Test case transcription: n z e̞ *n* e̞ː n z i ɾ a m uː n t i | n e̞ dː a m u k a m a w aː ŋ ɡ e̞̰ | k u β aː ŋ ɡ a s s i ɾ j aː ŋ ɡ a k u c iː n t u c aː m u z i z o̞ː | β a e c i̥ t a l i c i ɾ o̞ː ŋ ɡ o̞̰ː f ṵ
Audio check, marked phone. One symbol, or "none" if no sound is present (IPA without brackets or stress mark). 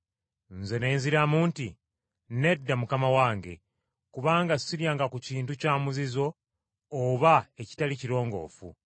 n